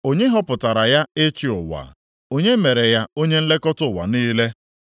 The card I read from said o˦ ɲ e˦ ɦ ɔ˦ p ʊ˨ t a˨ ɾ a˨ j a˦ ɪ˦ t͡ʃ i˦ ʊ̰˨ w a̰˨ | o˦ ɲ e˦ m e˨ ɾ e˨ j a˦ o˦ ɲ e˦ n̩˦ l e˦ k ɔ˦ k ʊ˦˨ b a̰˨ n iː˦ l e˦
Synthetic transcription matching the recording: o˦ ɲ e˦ ɦ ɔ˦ p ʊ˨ t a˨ ɾ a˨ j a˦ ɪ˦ t͡ʃ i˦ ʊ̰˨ w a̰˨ | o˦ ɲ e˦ m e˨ ɾ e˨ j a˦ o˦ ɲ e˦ n̩˦ l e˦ k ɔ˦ t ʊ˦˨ w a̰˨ n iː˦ l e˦